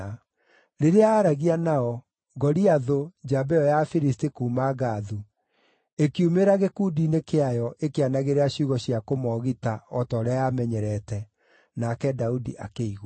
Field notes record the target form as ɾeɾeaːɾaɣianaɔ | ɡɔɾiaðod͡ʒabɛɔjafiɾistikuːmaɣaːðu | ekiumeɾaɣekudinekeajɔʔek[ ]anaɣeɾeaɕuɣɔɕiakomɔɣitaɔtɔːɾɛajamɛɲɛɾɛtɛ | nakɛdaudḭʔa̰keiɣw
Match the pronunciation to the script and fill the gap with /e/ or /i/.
e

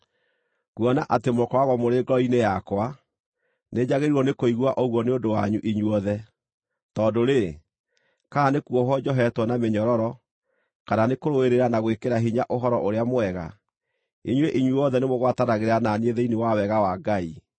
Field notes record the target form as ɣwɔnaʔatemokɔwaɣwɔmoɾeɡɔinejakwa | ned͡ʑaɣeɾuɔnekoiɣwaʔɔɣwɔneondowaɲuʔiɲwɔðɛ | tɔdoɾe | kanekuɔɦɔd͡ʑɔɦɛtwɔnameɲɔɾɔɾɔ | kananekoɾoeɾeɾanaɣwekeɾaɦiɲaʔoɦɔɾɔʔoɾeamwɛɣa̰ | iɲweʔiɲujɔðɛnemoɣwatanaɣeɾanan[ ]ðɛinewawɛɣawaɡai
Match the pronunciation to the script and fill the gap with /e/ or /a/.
e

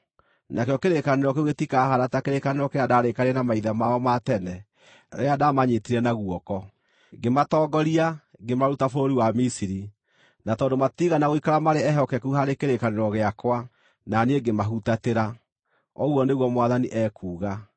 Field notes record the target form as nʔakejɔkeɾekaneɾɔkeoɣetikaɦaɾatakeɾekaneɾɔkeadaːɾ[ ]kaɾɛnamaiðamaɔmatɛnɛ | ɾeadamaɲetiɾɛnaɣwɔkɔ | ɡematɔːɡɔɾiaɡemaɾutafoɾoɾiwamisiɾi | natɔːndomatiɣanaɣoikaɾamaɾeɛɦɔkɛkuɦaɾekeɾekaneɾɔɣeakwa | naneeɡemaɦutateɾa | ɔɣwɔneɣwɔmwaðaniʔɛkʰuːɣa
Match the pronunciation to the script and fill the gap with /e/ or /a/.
e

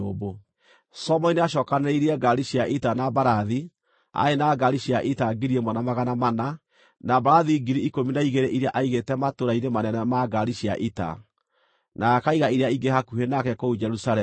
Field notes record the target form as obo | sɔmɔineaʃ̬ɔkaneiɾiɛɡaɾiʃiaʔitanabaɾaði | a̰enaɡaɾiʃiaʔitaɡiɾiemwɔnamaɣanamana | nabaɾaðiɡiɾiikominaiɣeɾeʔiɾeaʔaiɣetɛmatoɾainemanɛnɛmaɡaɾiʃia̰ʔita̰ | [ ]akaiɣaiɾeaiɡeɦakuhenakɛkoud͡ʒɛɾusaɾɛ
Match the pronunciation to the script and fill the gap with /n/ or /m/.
n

